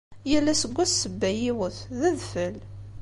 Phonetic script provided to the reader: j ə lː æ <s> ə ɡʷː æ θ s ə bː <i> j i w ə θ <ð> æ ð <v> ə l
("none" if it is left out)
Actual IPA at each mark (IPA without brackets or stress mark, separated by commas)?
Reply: s, æ, ð, f